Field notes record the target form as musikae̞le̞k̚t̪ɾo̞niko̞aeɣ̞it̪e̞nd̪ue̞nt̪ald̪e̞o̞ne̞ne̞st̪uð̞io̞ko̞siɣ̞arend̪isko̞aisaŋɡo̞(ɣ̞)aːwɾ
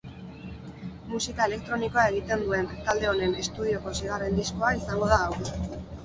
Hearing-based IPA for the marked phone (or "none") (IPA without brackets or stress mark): ð̞